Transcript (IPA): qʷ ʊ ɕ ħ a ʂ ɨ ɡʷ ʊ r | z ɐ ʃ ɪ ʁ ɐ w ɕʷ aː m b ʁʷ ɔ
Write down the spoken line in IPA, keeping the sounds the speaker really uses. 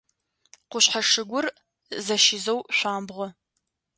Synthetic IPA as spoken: qʷ ʊ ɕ ħ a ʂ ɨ ɡʷ ʊ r | z ɐ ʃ ɪ z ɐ w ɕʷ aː m b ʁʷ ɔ